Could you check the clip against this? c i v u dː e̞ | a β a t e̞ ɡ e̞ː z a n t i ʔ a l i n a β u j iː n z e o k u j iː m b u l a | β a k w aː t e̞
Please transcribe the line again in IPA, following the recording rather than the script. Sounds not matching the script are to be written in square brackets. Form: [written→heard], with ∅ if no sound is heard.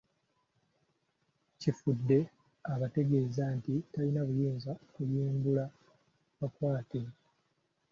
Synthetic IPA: c i [v→f] u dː e̞ | a β a t e̞ ɡ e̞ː z a n t i [ʔ→t] a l i n a β u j iː n z [e→a] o k u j iː m b u l a | β a k w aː t e̞